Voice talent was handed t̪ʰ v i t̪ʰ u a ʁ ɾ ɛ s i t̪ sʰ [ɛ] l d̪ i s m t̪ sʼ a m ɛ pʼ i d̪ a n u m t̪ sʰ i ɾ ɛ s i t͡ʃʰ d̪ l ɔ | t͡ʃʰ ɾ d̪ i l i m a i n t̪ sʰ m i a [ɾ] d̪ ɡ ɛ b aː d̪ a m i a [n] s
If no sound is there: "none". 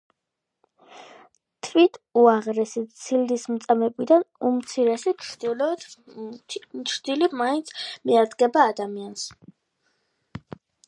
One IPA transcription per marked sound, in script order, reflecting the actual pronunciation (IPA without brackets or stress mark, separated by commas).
i, ɾ, n